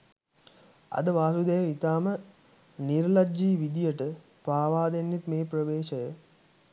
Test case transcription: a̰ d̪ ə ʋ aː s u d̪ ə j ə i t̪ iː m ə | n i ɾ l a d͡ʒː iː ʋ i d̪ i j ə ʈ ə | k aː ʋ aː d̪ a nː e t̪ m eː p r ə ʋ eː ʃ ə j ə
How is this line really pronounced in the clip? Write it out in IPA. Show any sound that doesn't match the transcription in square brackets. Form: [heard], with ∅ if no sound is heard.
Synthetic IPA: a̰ d̪ ə ʋ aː s u d̪ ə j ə i t̪ [aː] m ə | n i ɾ l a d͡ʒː iː ʋ i d̪ i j ə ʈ ə | [p] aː ʋ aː d̪ [e] nː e t̪ m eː p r ə ʋ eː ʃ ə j ə